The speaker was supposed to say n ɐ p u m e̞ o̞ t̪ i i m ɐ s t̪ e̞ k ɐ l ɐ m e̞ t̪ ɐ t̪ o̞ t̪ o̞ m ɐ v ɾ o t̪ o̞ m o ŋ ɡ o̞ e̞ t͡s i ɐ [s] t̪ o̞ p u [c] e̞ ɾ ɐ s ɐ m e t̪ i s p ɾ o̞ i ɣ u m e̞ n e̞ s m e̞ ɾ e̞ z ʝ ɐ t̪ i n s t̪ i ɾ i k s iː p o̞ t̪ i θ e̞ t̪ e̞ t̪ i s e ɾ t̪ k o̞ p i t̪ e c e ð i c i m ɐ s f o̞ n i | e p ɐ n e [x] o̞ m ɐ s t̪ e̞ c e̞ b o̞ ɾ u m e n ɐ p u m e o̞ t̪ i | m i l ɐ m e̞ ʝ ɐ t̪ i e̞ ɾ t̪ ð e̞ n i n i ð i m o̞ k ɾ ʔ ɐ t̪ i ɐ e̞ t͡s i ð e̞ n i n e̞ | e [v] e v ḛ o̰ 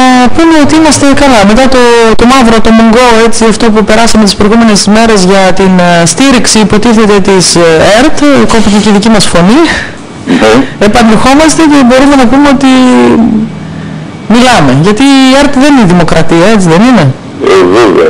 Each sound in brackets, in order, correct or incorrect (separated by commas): incorrect, incorrect, correct, correct